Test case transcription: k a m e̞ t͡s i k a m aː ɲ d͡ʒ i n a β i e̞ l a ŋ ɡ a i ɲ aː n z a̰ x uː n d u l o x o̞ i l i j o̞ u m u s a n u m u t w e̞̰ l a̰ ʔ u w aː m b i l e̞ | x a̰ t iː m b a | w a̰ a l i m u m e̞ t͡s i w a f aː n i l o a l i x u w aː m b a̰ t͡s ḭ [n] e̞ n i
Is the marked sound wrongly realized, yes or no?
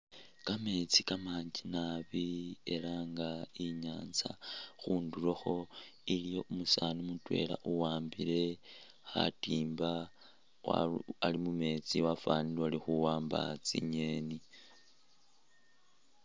yes